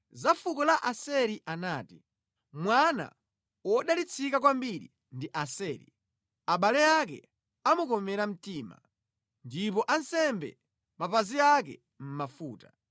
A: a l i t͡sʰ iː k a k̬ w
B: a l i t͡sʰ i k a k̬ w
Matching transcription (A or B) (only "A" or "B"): B